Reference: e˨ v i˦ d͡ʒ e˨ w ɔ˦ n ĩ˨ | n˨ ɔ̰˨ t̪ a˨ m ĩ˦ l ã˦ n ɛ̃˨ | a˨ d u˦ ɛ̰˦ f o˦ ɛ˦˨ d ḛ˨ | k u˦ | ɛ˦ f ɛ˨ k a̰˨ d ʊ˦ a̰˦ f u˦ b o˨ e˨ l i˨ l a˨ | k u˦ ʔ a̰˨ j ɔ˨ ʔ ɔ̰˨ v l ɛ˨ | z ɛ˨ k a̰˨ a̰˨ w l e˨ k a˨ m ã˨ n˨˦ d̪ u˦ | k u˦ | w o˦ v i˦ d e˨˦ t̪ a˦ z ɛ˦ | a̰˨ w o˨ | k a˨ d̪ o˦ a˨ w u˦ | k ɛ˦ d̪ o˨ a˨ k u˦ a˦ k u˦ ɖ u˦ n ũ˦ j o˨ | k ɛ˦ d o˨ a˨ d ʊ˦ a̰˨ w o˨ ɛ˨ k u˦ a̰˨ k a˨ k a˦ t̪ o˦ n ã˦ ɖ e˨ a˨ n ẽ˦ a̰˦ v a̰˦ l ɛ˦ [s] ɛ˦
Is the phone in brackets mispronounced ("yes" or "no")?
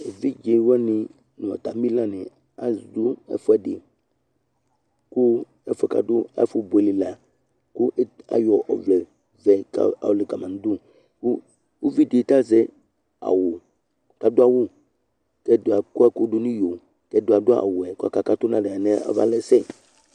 no